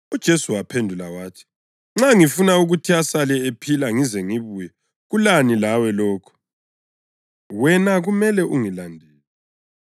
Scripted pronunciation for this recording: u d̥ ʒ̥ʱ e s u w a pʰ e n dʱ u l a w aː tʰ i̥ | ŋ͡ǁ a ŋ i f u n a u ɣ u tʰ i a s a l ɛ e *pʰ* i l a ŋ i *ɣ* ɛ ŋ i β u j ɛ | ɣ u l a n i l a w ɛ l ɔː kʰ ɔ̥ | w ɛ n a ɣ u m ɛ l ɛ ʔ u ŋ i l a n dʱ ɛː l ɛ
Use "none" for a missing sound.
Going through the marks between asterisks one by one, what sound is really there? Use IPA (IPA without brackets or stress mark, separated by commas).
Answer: pʰ, z